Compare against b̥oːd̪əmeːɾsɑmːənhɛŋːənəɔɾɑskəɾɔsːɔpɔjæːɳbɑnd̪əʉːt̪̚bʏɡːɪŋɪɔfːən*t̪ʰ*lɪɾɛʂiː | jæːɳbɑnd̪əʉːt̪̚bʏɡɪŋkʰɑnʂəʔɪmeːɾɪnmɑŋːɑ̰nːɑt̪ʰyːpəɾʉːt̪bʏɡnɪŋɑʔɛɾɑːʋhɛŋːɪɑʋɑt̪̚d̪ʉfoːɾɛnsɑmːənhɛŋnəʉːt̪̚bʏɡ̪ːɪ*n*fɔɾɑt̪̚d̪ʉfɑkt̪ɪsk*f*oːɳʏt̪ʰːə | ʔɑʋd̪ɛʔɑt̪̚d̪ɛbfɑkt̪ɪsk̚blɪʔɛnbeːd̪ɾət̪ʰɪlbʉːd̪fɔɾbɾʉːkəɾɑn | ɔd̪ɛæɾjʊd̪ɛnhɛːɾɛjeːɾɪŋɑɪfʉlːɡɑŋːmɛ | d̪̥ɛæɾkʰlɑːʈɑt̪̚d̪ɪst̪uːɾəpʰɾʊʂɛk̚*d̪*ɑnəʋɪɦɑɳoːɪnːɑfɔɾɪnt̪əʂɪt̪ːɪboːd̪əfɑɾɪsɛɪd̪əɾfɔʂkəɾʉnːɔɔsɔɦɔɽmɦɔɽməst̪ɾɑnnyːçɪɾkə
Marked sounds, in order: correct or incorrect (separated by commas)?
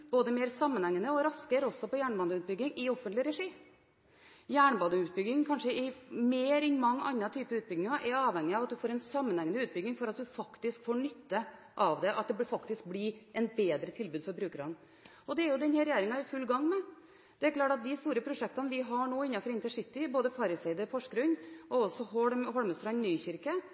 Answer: incorrect, incorrect, correct, incorrect